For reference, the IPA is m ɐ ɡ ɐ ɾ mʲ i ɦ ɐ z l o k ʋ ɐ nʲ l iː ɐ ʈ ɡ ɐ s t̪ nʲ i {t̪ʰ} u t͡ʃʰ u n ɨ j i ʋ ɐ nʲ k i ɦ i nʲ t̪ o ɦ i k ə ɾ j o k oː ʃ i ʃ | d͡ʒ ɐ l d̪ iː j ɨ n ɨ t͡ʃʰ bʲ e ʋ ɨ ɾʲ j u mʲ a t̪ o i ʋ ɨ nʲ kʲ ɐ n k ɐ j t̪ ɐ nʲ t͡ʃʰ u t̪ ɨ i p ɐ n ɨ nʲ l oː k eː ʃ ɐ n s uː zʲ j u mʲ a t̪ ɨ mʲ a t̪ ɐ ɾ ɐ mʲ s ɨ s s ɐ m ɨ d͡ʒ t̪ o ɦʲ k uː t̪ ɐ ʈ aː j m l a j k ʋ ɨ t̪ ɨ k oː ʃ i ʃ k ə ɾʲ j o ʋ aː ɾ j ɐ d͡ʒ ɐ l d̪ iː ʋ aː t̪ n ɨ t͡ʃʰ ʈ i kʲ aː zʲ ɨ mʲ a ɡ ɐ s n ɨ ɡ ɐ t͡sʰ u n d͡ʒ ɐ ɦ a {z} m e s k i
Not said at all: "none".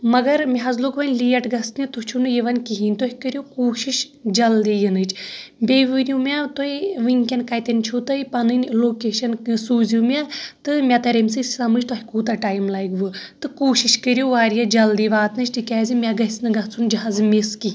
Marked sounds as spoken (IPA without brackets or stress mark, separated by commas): t̪, z